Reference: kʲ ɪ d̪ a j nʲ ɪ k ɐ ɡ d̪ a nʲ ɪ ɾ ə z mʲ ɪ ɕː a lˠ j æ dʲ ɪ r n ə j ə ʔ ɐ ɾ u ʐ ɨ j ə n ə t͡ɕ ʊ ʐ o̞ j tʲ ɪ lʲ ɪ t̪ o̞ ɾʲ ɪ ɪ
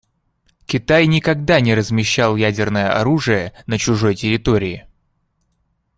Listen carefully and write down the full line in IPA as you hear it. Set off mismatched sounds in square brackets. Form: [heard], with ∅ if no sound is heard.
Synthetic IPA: kʲ ɪ [t̪] a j nʲ ɪ k ɐ ɡ d̪ a nʲ ɪ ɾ ə z mʲ ɪ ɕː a lˠ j æ dʲ ɪ r n ə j ə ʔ ɐ ɾ u ʐ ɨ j ə n ə t͡ɕ ʊ ʐ o̞ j tʲ ɪ [ɾʲ] ɪ t̪ o̞ ɾʲ ɪ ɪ